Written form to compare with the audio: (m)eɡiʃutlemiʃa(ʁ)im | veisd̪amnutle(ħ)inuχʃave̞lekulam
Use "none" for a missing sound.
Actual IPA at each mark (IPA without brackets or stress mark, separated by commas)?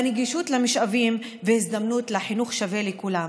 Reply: n, v, ħ